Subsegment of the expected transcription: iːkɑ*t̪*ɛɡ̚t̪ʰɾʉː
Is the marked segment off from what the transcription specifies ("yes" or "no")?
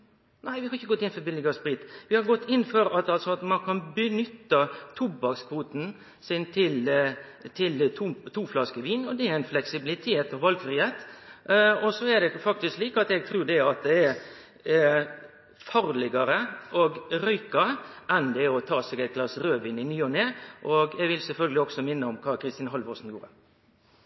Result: no